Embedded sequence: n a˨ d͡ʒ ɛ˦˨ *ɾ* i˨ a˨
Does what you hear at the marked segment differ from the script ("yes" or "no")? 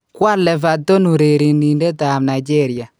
no